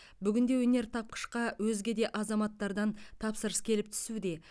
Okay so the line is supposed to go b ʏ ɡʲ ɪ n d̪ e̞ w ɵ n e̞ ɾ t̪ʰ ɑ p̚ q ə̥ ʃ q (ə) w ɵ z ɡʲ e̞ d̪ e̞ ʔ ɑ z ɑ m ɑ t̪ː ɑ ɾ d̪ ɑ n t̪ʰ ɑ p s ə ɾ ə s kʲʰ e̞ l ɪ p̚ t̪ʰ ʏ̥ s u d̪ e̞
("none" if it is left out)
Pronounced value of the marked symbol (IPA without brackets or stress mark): ɑ